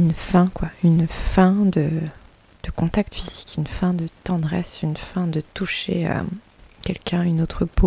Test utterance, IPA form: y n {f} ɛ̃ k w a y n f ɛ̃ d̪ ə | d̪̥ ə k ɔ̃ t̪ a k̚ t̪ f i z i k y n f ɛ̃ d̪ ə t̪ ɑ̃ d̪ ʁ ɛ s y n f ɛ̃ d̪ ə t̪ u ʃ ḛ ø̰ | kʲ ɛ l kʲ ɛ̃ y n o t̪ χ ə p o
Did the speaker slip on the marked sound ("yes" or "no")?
no